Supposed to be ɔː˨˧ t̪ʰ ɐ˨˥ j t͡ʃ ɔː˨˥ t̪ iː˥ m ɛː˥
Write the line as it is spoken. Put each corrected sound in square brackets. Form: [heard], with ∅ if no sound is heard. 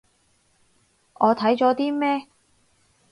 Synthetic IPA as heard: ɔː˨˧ t̪ʰ ɐ˨˥ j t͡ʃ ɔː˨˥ t̪ iː˥ m ɛː˥